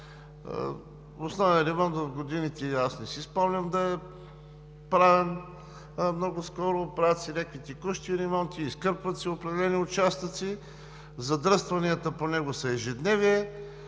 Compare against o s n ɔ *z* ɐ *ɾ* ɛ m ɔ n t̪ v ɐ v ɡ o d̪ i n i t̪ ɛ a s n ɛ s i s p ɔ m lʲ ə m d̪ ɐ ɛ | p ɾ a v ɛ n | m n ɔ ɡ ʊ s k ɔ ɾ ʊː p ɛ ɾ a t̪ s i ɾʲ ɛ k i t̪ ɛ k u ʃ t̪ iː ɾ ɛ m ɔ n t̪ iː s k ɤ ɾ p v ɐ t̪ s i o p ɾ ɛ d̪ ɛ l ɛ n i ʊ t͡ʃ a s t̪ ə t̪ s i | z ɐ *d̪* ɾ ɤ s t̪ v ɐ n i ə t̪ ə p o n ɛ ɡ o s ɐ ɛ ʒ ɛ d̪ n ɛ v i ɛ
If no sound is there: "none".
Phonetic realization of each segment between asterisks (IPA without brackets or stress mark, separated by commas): v, ɾ, d̪